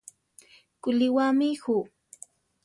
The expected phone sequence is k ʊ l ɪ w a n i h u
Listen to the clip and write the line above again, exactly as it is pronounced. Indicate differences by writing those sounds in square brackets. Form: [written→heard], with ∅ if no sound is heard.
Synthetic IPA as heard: k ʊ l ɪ w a [n→m] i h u